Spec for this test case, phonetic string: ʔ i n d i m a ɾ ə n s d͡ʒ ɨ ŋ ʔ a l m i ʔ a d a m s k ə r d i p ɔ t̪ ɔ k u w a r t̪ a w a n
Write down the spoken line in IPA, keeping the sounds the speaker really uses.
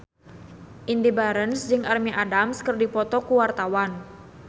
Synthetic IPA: ʔ i n d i b a ɾ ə n s d͡ʒ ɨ ŋ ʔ a r m i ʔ a d a m s k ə r d i p ɔ t̪ ɔ k u w a r t̪ a w a n